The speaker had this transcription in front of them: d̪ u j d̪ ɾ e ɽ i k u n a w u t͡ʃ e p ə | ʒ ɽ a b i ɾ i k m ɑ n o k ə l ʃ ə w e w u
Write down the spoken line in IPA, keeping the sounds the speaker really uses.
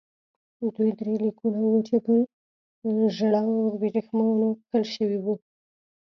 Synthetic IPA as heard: d̪ u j d̪ ɾ e l i k u n a w u t͡ʃ e p ə | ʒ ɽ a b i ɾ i x m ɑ n o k ə l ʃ ə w i w u